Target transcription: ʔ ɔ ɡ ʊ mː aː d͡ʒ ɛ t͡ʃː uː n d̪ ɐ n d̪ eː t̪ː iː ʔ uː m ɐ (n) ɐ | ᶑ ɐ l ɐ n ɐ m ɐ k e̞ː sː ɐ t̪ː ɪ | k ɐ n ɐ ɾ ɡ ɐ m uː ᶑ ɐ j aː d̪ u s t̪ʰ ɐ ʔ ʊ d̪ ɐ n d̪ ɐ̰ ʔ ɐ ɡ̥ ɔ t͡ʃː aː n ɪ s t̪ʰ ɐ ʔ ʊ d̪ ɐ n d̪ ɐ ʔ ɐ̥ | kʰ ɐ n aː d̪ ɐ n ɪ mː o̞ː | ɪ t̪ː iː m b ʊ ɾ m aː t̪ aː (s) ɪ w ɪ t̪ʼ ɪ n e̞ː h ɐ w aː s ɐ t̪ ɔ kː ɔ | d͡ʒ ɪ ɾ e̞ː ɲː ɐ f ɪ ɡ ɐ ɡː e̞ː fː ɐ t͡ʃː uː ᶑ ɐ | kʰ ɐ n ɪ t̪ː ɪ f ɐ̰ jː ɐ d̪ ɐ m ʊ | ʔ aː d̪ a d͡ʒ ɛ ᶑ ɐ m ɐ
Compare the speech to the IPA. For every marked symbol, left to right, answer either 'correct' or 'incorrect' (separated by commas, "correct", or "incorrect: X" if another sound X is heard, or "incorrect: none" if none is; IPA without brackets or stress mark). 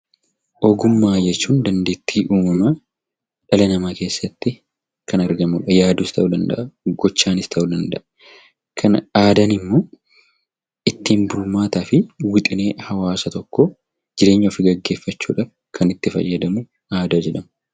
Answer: incorrect: m, incorrect: f